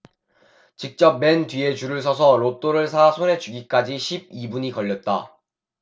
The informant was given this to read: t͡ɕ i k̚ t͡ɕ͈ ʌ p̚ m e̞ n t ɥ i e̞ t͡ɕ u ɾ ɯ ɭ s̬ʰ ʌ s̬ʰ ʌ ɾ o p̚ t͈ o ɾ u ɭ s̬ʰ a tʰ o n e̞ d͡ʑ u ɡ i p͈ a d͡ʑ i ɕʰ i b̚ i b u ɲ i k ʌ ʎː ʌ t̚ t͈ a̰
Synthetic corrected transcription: t͡ɕ i k̚ t͡ɕ͈ ʌ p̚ m e̞ n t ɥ i e̞ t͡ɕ u ɾ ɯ ɭ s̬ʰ ʌ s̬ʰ ʌ ɾ o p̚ t͈ o ɾ ɯ ɭ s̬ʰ a sʰ o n e̞ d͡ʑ u ɡ i k͈ a d͡ʑ i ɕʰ i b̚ i b u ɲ i k ʌ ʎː ʌ t̚ t͈ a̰